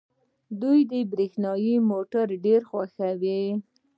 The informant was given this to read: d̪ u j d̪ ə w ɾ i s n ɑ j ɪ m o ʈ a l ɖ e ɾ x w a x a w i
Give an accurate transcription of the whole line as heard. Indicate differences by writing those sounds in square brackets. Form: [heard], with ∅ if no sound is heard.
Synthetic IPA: d̪ u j d̪ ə [b] ɾ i [x] n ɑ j [i] m o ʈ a [ɾ] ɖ e ɾ x w a x a w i